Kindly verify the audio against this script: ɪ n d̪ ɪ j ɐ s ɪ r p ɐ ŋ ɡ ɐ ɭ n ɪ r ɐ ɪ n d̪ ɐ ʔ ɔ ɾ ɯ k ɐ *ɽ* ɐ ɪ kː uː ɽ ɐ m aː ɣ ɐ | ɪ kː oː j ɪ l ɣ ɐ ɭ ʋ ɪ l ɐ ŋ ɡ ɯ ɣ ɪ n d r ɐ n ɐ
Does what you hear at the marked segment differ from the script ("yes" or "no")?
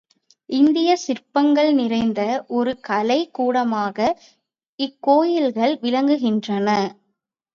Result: yes